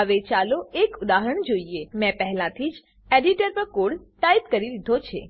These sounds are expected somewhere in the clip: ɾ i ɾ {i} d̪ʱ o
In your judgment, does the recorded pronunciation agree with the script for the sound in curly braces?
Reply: yes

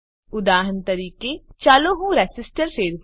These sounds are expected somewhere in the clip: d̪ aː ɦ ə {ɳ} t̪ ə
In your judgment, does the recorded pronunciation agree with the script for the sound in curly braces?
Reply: no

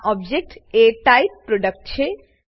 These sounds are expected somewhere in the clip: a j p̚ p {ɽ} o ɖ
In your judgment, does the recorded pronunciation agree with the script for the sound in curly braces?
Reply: no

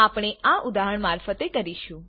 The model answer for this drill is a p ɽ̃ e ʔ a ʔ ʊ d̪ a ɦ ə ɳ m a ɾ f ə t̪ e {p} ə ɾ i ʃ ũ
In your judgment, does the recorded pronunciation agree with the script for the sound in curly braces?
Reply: no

